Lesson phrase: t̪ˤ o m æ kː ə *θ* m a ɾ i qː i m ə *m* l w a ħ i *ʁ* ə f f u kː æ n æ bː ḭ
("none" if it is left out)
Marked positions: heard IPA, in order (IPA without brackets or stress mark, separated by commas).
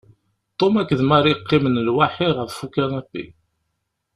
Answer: ð, n, ʁ